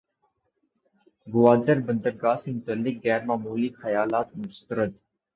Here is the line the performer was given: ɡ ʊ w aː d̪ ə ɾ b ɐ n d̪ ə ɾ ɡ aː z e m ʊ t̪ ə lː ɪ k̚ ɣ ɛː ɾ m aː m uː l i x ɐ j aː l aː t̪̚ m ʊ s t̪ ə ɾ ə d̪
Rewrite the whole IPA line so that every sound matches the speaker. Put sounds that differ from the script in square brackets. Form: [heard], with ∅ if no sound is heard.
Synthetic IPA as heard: ɡ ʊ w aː d̪ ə ɾ b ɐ n d̪ ə ɾ ɡ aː [s] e m ʊ t̪ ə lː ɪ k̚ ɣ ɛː ɾ m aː m uː l i x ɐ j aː l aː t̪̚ m ʊ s t̪ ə ɾ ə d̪